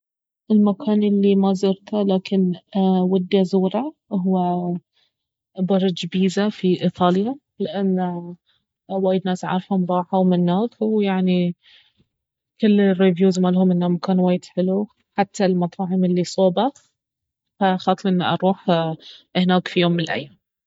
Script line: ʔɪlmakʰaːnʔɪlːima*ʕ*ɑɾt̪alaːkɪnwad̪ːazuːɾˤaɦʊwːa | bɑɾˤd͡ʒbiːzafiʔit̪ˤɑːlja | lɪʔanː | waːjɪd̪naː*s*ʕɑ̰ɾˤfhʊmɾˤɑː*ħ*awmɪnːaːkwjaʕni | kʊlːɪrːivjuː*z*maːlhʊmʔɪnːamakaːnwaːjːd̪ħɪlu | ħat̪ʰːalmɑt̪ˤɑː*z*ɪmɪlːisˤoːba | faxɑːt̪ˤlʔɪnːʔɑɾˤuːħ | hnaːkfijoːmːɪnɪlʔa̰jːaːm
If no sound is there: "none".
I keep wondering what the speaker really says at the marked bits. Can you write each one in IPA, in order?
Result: z, s, ħ, z, ʕ

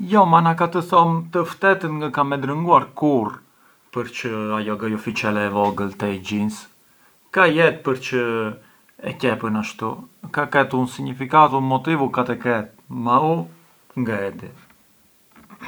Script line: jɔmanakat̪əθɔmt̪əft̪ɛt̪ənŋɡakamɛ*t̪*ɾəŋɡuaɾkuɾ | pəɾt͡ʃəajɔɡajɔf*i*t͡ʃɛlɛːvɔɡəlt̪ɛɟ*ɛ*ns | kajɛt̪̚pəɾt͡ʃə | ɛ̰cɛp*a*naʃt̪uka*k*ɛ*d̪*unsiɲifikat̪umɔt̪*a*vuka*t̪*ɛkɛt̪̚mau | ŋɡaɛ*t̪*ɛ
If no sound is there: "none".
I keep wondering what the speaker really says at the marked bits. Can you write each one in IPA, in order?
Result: d̪, i, i, ə, k, t̪, i, t̪, d̪

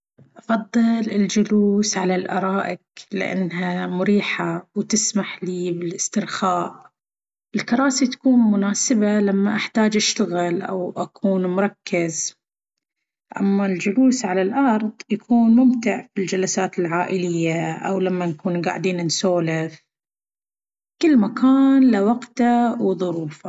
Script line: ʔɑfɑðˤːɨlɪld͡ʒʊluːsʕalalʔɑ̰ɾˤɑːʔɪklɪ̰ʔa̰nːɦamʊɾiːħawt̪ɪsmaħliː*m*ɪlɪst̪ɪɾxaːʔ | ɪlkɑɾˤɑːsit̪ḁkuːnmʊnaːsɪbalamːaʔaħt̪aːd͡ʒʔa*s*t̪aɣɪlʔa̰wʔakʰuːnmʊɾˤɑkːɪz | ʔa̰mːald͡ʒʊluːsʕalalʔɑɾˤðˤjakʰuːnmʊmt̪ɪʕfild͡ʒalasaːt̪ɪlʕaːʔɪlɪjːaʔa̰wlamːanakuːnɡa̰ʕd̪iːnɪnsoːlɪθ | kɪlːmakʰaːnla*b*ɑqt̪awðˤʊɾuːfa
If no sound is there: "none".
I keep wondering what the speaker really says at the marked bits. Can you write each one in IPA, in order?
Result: b, ʃ, w

